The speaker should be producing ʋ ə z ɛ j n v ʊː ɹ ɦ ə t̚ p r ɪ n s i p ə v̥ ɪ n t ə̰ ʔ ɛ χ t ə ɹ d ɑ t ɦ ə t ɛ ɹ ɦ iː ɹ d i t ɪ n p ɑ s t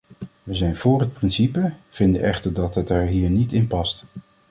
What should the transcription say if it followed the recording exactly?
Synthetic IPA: ʋ ə z ɛ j n v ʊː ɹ ɦ ə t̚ p r ɪ n s i p ə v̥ ɪ n d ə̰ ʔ ɛ χ t ə ɹ d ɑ t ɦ ə t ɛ ɹ ɦ iː ɹ n i t ɪ n p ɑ s t

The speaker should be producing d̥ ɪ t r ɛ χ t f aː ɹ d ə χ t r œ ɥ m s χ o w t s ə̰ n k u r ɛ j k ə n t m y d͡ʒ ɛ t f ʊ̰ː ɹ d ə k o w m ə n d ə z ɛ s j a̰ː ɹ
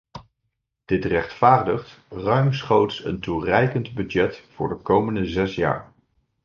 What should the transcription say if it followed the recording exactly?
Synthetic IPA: d̥ ɪ t r ɛ χ t f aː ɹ d ə χ t r œ ɥ m s χ o w t s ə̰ n t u r ɛ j k ə n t b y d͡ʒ ɛ t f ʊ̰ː ɹ d ə k o w m ə n d ə z ɛ s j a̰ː ɹ

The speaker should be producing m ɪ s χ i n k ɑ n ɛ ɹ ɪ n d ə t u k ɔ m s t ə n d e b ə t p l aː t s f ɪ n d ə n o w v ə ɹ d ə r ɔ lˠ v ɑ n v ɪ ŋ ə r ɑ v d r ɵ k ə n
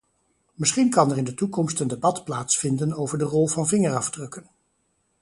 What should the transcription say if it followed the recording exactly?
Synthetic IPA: m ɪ s χ i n k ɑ n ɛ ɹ ɪ n d ə t u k ɔ m s t ə n d e b ɑ t p l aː t s f ɪ n d ə n o w v ə ɹ d ə r ɔ lˠ v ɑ n v ɪ ŋ ə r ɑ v d r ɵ k ə n

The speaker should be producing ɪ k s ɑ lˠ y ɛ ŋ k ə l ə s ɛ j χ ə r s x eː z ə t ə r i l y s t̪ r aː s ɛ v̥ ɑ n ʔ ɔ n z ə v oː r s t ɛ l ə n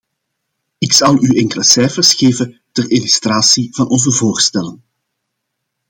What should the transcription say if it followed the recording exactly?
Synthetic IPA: ɪ k s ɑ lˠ y ɛ ŋ k ə l ə s ɛ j f ə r s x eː v ə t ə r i l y s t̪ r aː s i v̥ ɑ n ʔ ɔ n z ə v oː r s t ɛ l ə n

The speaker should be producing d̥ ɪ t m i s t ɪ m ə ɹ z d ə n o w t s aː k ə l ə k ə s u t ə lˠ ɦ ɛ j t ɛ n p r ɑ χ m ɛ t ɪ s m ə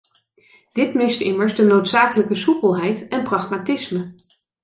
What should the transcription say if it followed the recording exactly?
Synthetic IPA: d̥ ɪ t m ɪ s t ɪ m ə ɹ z d ə n o w t s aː k ə l ə k ə s u p ə lˠ ɦ ɛ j t ɛ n p r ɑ χ m a t ɪ s m ə

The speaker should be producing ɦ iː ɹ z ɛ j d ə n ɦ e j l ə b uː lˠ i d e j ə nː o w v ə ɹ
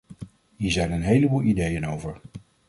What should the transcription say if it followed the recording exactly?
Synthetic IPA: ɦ iː ɹ z ɛ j n ə n ɦ e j l ə b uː lˠ i d e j ə n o w v ə ɹ

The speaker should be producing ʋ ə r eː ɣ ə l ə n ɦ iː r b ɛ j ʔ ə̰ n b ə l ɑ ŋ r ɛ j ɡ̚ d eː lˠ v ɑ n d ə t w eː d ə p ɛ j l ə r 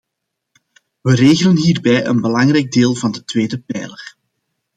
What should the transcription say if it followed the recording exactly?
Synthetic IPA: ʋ ə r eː ɣ ə l ə n ɦ iː r b ɛ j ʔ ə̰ n b ə l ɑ ŋ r ɛ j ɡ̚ d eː lˠ v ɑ n d ə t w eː d ə p ɛ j l ə r

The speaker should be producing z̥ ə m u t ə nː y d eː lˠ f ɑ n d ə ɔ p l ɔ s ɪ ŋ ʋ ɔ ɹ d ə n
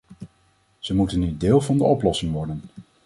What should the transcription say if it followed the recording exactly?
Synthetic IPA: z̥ ə m u t ə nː y d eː lˠ v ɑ n d ə ɔ p l ɔ s ɪ ŋ ʋ ɔ ɹ d ə n

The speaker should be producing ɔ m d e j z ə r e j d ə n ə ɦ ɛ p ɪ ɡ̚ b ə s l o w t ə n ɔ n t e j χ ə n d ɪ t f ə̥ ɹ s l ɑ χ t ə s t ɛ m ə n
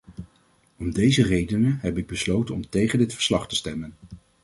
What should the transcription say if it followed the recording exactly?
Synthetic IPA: ɔ m d e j z ə r e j d ə n ə ɦ ɛ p ɪ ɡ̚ b ə s l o w t ə n ɔ m t e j χ ə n d ɪ t f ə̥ ɹ s l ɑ χ t ə s t ɛ m ə n

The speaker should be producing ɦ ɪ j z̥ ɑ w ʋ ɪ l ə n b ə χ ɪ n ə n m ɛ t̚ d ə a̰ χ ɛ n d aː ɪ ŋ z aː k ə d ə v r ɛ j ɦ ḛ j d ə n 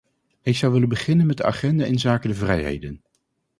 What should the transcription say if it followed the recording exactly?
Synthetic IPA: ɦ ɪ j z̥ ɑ w ʋ ɪ l ə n b ə χ ɪ n ə n m ɛ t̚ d ə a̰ χ ɛ n d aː ɪ n z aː k ə d ə v r ɛ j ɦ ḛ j d ə n

